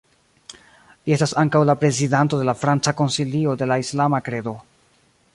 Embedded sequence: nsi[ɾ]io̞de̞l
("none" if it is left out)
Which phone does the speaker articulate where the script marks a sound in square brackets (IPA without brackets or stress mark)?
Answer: l